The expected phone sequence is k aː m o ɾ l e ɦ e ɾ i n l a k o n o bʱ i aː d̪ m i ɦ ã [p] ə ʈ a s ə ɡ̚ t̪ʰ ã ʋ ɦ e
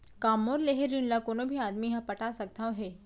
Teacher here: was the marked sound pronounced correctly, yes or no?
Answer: yes